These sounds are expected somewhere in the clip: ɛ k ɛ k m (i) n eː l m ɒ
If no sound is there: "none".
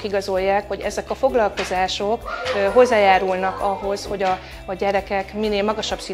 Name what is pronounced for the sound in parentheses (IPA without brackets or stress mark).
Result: i